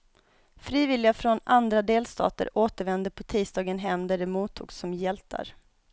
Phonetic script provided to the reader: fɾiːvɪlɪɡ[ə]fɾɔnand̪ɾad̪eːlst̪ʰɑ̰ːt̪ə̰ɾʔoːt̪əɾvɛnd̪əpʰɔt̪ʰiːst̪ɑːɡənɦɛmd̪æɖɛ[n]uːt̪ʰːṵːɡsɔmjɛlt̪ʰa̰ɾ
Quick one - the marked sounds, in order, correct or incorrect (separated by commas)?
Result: incorrect, incorrect